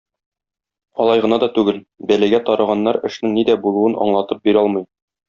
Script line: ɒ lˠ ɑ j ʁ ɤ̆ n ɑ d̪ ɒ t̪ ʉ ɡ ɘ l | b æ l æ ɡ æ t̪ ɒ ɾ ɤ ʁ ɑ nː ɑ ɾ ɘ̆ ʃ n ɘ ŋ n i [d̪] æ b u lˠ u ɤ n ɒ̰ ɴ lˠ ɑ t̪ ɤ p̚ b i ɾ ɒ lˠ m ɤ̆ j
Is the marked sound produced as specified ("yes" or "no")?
yes